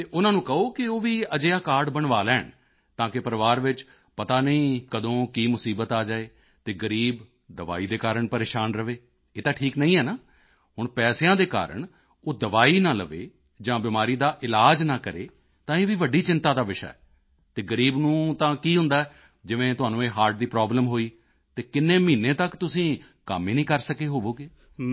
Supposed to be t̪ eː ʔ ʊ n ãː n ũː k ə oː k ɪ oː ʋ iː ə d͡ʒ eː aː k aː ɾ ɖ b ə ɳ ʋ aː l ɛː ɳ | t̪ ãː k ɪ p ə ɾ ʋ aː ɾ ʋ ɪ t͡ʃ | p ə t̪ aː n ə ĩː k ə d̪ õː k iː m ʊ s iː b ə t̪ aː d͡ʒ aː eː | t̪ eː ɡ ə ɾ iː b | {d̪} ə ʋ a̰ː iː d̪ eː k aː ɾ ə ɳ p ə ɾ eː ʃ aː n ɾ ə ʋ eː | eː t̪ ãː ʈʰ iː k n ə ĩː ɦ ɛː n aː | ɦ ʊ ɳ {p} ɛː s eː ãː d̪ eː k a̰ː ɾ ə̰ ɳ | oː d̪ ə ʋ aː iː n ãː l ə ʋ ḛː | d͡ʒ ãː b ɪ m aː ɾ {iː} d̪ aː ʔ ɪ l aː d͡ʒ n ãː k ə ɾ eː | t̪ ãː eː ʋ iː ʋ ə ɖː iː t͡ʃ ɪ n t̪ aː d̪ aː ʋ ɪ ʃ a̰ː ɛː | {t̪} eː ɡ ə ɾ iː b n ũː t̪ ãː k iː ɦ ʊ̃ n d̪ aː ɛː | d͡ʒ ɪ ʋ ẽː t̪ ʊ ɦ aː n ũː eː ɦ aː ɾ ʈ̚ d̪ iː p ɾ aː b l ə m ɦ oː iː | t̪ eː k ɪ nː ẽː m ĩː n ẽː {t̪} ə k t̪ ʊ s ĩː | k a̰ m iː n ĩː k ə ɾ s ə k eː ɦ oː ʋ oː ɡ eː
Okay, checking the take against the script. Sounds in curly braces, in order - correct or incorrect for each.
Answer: correct, correct, correct, correct, correct

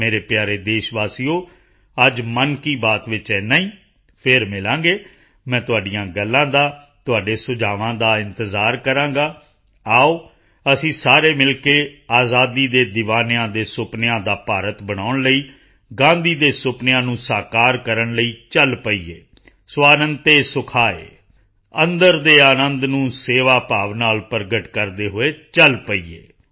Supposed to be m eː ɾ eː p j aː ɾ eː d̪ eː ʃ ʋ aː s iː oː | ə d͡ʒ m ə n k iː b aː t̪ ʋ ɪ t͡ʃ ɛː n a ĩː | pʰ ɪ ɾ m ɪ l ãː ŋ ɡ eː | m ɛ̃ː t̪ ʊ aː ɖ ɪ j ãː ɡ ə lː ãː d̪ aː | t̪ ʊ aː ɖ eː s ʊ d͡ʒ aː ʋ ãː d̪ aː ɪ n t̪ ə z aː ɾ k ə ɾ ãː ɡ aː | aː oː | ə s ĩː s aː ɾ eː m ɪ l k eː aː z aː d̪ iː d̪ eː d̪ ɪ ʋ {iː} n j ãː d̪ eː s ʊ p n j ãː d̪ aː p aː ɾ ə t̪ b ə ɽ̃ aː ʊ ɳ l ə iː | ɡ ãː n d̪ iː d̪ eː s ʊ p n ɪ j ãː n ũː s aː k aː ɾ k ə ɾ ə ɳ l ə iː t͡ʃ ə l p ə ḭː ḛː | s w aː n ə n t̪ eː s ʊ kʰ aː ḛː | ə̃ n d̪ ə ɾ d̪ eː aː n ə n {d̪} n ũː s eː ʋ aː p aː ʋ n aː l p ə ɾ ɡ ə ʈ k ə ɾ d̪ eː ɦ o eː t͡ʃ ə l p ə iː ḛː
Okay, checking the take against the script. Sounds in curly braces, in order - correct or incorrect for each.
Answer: incorrect: aː, correct

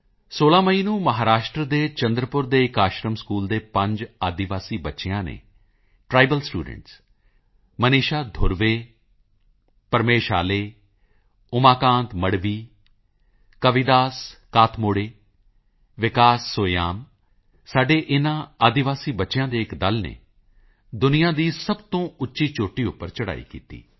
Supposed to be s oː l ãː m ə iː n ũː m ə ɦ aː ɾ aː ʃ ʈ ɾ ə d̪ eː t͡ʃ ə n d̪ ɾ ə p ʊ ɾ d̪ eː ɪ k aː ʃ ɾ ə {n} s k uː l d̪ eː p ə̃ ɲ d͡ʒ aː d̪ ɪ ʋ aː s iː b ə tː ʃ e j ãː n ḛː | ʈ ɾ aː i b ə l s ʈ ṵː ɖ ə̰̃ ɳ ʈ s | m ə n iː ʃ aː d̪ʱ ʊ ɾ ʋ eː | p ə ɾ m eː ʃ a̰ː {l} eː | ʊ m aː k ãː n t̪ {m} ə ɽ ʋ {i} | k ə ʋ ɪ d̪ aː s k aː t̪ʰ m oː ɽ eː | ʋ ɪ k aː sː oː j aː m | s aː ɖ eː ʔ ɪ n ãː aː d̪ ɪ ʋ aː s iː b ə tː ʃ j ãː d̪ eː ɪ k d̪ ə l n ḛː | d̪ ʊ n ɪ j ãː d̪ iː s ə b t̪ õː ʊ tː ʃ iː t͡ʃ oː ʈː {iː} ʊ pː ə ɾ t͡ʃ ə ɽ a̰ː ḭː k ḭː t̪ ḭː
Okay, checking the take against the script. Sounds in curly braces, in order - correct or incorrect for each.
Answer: incorrect: m, correct, correct, incorrect: iː, correct

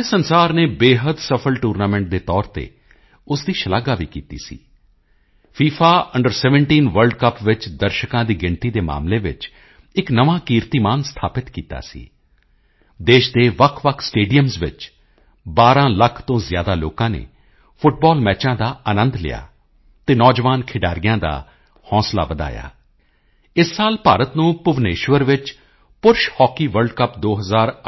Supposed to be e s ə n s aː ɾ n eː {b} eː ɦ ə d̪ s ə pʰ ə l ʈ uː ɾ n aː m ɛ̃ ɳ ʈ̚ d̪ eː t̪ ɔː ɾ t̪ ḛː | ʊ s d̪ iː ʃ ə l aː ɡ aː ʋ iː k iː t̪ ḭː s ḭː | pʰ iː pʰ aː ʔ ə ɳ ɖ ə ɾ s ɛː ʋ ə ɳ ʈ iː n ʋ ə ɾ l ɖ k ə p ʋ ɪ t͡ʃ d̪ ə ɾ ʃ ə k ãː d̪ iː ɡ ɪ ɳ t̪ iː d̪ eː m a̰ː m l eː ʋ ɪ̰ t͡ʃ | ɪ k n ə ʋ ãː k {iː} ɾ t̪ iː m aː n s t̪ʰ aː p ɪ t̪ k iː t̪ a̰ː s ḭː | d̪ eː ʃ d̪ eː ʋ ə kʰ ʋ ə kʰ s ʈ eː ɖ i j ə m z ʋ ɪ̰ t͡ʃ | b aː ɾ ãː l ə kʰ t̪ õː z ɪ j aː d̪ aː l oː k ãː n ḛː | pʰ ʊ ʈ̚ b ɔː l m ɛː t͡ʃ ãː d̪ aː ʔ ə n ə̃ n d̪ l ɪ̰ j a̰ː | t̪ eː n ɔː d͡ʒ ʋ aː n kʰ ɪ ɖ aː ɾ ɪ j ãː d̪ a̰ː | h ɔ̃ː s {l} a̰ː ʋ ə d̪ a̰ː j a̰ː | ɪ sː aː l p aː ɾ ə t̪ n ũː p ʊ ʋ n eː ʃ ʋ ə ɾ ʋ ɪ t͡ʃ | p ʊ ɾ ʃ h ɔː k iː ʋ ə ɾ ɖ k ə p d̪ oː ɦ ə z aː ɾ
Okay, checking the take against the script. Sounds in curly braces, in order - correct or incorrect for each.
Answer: correct, correct, correct

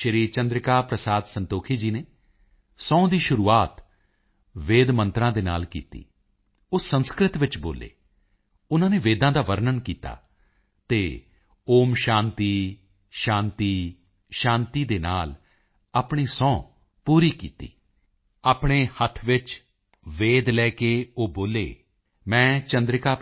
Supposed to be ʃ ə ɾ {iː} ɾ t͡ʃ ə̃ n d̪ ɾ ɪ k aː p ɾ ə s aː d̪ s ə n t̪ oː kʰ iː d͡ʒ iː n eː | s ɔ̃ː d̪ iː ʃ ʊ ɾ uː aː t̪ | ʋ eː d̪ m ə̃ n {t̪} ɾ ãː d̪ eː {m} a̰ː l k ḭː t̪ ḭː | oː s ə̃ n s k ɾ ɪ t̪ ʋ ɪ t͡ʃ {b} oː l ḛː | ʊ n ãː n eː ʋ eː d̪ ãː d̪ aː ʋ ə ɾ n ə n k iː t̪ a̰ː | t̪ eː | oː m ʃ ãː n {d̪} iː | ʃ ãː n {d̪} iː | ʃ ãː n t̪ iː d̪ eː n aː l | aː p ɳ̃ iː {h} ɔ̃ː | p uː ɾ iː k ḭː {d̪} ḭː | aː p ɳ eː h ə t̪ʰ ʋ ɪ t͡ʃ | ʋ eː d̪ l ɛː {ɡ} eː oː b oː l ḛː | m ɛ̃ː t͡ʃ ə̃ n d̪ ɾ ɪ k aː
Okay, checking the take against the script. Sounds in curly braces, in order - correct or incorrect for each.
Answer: correct, correct, incorrect: n, correct, incorrect: t̪, incorrect: t̪, incorrect: s, incorrect: t̪, incorrect: k

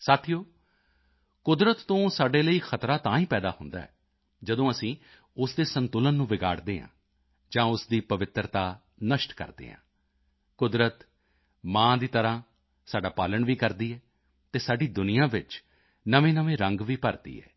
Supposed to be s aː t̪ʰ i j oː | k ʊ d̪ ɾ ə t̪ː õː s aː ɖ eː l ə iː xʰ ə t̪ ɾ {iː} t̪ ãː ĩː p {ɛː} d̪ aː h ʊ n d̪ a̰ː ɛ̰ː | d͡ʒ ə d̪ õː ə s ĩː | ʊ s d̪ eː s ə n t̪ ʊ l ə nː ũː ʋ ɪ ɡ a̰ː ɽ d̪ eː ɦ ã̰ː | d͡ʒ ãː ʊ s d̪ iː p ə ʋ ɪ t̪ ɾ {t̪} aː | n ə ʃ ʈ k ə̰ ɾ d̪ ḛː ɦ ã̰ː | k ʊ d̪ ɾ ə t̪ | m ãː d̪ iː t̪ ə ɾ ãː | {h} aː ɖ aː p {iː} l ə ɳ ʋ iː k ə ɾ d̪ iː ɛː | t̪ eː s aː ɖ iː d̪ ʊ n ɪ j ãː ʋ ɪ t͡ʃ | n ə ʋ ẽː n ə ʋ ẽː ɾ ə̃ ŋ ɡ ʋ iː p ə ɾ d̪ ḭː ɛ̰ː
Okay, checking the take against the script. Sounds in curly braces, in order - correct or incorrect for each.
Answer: incorrect: aː, correct, correct, incorrect: s, incorrect: aː

